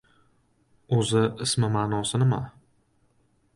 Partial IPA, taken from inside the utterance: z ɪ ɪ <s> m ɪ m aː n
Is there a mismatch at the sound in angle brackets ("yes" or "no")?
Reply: no